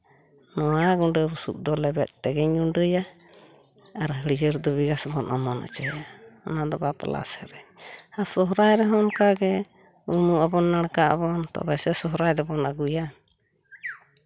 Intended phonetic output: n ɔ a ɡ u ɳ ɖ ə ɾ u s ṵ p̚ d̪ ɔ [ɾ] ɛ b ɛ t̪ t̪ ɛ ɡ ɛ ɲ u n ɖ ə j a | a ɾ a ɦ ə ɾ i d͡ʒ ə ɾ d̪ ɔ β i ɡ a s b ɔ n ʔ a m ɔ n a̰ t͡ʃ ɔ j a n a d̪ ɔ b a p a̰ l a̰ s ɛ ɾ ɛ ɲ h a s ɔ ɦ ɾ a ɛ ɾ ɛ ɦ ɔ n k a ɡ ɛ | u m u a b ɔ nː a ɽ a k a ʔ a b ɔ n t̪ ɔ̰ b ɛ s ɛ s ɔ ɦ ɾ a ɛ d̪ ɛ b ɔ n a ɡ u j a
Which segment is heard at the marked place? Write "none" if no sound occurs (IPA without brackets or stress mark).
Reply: l